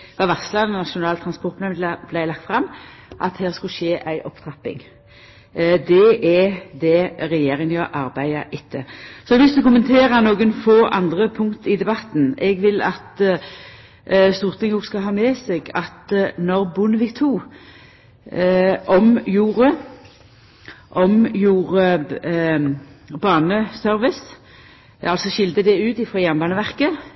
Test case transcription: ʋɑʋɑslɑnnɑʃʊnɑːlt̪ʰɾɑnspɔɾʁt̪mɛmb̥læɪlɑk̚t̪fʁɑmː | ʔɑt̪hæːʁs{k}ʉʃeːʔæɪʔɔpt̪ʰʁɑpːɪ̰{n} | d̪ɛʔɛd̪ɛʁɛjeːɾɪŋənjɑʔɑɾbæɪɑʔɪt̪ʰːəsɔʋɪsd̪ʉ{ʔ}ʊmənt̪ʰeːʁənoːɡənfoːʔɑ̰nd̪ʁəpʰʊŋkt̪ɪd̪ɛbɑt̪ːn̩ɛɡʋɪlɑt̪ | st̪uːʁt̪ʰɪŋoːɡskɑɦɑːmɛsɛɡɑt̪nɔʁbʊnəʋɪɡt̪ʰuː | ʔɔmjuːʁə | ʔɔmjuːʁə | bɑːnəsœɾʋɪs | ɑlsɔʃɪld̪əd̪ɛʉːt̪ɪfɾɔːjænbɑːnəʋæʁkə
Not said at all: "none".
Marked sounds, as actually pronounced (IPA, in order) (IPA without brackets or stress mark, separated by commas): k, ŋ, k